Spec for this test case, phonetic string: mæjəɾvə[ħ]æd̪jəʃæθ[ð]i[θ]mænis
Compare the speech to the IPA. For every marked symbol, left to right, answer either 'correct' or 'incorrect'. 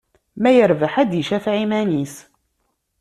correct, incorrect: ʕ, incorrect: none

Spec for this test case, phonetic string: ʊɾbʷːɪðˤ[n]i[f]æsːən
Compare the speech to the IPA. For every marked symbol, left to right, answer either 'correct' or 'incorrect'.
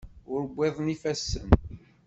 correct, correct

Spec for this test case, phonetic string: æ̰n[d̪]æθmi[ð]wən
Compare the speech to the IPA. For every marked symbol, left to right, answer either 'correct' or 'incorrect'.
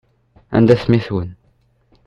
correct, incorrect: θ

